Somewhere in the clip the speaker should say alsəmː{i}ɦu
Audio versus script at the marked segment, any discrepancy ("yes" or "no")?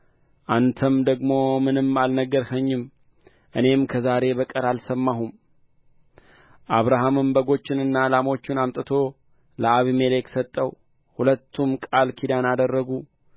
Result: yes